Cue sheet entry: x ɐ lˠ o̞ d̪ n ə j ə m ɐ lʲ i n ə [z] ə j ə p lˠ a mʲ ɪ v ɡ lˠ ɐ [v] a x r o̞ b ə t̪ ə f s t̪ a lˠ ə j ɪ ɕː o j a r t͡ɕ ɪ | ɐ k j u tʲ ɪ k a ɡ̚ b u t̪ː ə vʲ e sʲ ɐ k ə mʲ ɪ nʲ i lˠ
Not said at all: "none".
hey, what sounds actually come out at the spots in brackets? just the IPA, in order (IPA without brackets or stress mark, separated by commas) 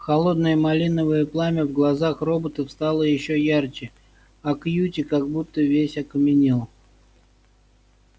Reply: v, z